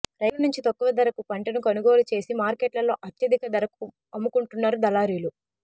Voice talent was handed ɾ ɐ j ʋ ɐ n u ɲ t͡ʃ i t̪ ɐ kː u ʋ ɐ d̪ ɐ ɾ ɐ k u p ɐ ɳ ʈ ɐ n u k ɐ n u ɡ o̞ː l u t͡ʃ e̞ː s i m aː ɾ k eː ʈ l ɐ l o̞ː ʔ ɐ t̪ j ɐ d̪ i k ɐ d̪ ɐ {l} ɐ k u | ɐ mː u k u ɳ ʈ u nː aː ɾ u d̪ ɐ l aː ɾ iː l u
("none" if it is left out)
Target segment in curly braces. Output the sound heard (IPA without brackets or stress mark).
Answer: ɾ